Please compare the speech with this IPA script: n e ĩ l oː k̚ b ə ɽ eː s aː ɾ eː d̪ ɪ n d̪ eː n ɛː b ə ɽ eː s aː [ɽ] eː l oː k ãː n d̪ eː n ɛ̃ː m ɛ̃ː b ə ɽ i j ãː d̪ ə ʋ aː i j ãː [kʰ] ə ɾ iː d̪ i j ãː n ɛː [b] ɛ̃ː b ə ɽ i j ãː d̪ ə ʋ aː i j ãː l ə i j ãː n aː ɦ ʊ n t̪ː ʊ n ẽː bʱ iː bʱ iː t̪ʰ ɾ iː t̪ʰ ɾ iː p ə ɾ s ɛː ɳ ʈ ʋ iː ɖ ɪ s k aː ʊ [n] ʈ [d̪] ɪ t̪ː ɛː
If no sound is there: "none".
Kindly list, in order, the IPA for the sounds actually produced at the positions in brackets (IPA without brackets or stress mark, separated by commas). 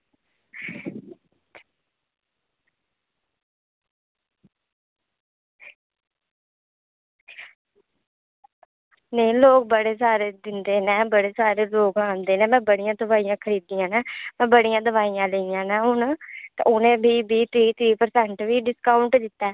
ɾ, kʰ, m, ɳ, d̪